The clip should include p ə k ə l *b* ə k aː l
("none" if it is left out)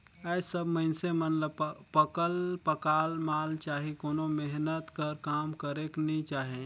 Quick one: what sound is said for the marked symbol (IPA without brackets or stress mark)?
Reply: p